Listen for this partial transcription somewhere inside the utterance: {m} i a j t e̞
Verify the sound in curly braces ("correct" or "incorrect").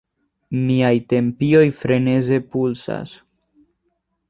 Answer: correct